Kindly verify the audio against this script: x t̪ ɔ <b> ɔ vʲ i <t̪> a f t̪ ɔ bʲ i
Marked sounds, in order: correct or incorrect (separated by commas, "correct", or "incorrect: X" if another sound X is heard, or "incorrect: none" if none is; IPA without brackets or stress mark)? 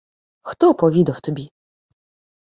incorrect: p, incorrect: d̪